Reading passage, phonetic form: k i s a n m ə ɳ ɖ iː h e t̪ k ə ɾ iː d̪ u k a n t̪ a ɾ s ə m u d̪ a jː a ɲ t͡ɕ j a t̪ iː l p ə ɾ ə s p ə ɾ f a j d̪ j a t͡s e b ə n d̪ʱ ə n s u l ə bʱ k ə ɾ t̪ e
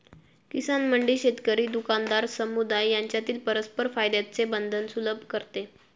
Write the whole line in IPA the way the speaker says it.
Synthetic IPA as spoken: k i s a n m ə ɳ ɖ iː ɕ e t̪ k ə ɾ iː d̪ u k a n d̪ a ɾ s ə m u d̪ a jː a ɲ t͡ɕ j a t̪ iː l p ə ɾ ə s p ə ɾ f a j d̪ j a t͡s e b ə n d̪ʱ ə n s u l ə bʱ k ə ɾ t̪ e